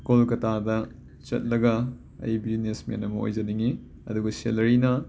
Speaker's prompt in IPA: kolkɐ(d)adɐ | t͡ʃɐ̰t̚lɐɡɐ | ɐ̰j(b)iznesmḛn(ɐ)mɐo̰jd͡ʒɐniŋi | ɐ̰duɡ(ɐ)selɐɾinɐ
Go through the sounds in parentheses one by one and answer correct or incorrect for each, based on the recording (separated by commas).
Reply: incorrect, correct, correct, correct